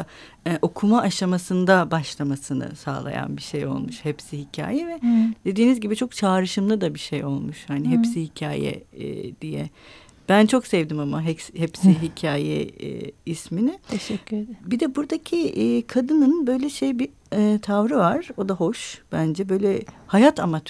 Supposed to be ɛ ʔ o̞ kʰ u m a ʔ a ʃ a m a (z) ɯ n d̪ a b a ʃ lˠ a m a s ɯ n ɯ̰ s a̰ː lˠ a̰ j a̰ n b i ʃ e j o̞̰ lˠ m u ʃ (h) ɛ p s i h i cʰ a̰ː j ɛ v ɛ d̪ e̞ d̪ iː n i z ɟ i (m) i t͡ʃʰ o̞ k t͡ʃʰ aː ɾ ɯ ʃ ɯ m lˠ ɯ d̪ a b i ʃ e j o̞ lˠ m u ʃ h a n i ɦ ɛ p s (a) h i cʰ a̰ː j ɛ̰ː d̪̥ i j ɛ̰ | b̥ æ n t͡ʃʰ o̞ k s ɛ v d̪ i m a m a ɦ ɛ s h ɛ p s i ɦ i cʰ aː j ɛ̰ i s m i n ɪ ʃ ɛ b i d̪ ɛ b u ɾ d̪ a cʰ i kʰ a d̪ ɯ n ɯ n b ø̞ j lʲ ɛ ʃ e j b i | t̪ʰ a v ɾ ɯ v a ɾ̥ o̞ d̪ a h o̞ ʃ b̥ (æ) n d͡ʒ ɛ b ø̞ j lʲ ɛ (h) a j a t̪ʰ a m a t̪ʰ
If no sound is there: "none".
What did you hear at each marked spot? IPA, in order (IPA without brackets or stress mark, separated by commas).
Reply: s, h, b, i, æ, h